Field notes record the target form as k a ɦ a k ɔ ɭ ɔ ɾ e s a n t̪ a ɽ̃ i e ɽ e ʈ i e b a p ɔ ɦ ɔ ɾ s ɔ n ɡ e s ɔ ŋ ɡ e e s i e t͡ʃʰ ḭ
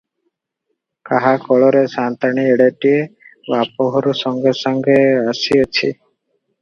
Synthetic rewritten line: k a ɦ a k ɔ ɭ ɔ ɾ e s a n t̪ a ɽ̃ i e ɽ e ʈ i e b a p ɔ ɦ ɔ ɾ s ɔ ŋ ɡ e s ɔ ŋ ɡ e a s i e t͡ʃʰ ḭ